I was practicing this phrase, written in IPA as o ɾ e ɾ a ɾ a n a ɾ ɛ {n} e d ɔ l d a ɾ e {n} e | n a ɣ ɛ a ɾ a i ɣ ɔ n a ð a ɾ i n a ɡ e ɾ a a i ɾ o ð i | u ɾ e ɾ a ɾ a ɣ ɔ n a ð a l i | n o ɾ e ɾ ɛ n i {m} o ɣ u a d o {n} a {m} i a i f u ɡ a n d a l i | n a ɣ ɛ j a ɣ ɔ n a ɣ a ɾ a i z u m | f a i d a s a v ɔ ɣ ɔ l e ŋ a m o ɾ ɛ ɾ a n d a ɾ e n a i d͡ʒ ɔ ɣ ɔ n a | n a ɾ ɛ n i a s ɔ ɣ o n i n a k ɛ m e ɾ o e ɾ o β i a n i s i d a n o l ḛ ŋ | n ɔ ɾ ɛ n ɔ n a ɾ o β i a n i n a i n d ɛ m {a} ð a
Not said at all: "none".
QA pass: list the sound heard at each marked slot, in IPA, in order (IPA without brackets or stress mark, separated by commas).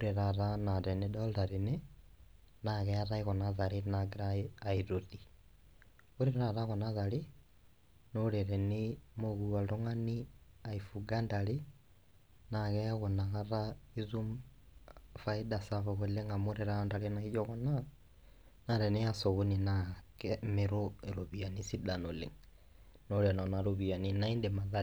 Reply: n, n, m, ŋ, n, a